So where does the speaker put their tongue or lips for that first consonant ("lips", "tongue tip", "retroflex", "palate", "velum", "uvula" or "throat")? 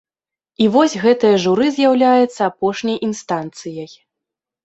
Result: lips